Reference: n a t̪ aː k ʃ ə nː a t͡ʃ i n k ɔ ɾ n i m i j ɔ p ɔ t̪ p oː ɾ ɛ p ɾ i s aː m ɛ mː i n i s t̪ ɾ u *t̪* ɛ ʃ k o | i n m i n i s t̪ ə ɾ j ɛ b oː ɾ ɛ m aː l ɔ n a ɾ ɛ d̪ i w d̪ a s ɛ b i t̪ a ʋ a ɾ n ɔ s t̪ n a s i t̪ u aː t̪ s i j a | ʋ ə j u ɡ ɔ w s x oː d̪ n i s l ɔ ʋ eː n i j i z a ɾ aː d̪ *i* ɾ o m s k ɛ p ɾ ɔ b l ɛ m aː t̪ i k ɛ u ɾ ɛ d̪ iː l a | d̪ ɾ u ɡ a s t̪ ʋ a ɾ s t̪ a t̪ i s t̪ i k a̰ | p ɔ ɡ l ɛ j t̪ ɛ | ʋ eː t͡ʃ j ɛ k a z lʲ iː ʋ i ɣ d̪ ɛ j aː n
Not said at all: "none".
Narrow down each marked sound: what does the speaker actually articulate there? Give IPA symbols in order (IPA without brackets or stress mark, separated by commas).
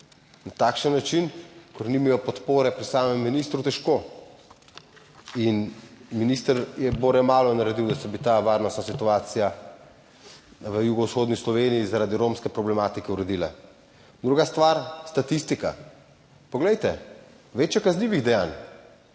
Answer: t̪, i